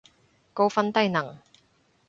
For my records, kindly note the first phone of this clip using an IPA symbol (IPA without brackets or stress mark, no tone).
k